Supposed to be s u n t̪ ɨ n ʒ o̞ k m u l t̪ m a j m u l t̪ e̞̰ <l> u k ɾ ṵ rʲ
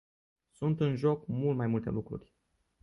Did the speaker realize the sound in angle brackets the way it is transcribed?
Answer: yes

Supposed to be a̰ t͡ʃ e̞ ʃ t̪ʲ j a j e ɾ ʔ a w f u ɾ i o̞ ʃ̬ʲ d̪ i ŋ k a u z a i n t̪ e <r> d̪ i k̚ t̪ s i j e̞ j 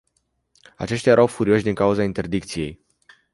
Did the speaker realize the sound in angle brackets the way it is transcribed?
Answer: yes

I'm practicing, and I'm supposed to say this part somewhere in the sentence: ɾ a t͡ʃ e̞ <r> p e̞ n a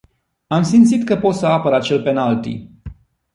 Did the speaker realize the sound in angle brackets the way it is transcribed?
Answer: no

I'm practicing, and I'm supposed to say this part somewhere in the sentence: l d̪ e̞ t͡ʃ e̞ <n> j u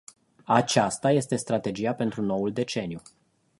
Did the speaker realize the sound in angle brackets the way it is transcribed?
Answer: yes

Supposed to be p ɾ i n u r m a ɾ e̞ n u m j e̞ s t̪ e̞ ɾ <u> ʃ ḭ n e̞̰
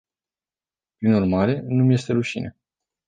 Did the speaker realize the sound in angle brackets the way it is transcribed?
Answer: yes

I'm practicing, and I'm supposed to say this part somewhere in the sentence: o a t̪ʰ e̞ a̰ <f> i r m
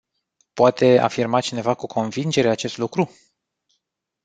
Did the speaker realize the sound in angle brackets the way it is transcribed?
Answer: yes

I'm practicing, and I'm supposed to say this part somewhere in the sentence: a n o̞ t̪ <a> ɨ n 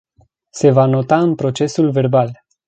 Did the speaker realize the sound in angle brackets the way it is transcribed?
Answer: yes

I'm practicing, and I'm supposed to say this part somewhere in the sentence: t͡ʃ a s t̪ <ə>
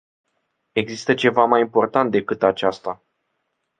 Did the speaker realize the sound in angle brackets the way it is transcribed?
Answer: no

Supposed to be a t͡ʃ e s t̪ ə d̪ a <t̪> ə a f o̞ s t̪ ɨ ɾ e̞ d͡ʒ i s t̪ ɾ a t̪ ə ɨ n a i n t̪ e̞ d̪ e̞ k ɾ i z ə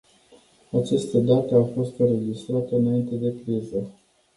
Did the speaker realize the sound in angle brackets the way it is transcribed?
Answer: yes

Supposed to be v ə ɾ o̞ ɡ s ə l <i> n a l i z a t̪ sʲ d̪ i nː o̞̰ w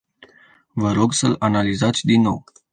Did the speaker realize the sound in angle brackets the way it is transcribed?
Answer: no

